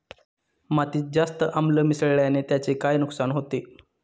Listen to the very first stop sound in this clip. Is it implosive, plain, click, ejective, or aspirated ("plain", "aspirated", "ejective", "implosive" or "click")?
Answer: plain